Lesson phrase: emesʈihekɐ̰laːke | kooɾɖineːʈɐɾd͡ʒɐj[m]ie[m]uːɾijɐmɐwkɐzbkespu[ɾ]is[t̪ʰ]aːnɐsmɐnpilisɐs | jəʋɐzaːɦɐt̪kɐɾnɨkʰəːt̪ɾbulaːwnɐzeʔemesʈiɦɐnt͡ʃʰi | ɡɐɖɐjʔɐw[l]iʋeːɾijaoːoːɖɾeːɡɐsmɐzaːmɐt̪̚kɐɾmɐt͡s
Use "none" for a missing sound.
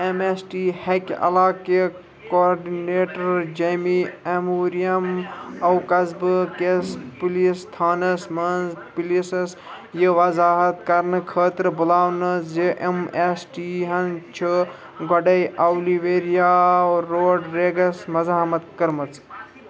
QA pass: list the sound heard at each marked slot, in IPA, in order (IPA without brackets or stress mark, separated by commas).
m, m, l, t̪ʰ, l